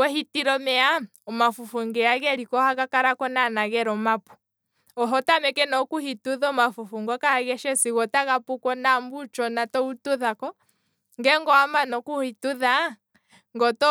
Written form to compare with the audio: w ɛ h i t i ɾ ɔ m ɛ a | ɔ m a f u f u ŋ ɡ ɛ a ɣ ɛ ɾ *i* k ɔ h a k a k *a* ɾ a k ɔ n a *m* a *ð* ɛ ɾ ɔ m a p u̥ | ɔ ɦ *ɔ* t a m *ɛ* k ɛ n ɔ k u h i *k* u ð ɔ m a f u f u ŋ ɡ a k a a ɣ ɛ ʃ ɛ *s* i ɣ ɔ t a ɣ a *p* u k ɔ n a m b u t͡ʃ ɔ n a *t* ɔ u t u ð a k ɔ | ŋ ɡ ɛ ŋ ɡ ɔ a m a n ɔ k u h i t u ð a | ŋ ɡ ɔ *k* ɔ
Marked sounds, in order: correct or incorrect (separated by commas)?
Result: correct, correct, incorrect, incorrect, correct, correct, incorrect, correct, correct, correct, incorrect